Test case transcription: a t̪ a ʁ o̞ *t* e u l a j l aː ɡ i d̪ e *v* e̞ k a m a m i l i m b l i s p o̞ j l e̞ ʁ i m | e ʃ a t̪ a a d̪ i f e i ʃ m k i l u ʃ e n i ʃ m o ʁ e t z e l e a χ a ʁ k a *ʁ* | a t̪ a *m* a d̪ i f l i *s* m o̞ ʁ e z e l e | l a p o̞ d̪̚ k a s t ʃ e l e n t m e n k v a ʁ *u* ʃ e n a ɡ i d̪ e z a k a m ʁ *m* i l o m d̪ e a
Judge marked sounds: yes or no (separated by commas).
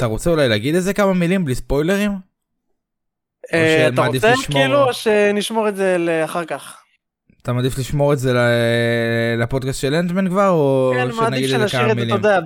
no, no, no, yes, no, no, yes